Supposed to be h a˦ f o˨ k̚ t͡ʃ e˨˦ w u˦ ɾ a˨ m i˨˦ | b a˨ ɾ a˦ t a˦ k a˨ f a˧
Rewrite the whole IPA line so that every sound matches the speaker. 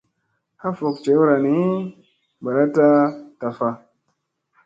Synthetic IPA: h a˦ f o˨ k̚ t͡ʃ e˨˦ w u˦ ɾ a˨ n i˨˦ | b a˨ ɾ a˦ t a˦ t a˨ f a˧